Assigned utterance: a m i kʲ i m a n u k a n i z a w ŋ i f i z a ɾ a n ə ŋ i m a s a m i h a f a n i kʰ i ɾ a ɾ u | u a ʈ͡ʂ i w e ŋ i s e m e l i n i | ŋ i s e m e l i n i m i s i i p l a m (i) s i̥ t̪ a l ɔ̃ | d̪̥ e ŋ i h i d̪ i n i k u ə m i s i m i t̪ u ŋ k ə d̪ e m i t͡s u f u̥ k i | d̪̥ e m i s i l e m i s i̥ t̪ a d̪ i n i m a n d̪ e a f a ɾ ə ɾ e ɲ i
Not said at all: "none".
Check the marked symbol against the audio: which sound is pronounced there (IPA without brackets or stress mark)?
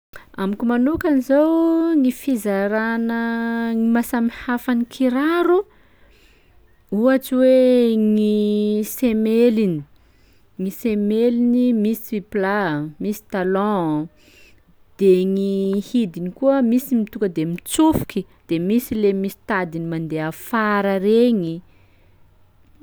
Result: i